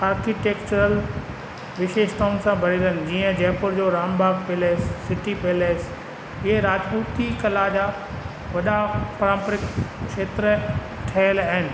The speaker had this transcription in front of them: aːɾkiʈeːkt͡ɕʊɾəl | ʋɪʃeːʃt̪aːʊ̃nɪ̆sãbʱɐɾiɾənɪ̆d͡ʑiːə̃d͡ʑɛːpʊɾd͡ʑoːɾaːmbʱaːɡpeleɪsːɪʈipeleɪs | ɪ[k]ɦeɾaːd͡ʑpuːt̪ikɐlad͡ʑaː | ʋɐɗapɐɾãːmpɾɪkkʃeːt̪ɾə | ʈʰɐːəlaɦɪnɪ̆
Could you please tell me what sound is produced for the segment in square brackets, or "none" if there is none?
none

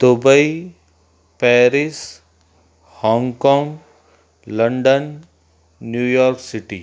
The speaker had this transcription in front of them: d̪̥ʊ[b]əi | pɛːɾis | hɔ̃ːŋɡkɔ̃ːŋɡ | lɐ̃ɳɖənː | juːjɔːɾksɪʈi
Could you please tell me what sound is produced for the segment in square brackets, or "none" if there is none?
b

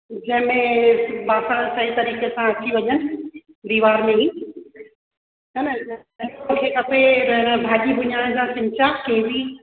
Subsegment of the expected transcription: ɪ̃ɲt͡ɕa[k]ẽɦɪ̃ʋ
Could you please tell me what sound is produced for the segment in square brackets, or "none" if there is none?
k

